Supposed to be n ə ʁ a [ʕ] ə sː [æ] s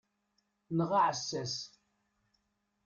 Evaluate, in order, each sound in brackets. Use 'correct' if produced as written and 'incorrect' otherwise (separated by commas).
correct, correct